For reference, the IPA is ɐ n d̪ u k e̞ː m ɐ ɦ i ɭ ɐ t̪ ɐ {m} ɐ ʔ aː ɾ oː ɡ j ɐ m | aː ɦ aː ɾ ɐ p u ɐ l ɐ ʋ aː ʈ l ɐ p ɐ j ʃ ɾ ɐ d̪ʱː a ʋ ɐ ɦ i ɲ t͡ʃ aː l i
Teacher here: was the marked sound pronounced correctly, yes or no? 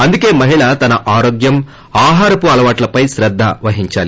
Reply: no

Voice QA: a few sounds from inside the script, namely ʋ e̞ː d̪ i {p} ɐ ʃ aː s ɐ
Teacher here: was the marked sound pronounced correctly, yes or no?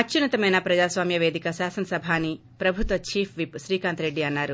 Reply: no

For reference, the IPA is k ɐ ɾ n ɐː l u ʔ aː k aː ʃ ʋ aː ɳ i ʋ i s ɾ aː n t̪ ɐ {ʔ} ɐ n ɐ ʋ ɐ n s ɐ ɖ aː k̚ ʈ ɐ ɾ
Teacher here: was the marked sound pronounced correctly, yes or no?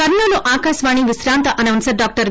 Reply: yes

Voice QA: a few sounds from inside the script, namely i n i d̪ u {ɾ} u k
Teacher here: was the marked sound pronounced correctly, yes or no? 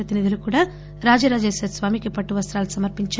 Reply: no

